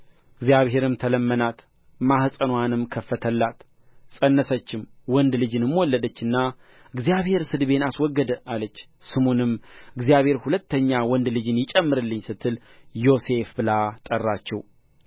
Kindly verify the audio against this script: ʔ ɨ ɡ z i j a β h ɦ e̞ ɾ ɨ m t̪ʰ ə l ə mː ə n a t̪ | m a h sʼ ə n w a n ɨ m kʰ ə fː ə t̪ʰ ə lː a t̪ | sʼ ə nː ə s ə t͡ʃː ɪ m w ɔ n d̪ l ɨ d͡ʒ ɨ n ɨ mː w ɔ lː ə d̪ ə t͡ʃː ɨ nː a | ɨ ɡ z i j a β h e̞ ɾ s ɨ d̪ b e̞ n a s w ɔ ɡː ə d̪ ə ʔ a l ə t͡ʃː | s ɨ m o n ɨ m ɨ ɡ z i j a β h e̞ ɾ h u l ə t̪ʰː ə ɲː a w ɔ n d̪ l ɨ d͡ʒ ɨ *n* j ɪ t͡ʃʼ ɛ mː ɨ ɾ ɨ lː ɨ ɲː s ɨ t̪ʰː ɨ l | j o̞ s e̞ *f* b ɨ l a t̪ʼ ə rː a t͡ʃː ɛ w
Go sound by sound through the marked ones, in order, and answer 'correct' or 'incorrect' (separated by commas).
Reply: correct, correct